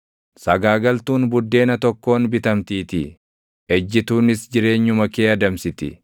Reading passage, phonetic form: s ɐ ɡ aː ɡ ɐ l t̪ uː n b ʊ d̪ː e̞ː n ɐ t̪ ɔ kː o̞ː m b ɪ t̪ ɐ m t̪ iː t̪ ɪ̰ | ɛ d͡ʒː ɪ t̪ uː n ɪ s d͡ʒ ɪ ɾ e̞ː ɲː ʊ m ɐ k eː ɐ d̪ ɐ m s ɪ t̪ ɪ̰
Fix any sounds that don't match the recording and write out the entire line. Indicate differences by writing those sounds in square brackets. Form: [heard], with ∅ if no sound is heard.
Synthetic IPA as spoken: s ɐ ɡ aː ɡ ɐ l t̪ uː n b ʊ d̪ː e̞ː n ɐ t̪ ɔ kː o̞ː [n] b ɪ t̪ ɐ m t̪ iː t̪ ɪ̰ | ɛ d͡ʒː ɪ t̪ uː n ɪ s d͡ʒ ɪ ɾ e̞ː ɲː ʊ m ɐ k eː ɐ d̪ ɐ m s ɪ t̪ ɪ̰